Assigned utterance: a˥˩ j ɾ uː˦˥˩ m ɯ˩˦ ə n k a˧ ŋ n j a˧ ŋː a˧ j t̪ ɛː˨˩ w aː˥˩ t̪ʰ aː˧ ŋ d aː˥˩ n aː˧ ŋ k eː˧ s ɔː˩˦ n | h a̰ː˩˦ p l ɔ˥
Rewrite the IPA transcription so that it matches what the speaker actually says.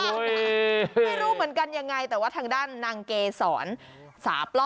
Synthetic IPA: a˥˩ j ɾ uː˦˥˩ m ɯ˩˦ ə n k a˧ n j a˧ ŋː a˧ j t̪ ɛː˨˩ w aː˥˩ t̪ʰ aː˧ ŋ d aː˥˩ nː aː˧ ŋ k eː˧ s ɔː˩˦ n | s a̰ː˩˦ p l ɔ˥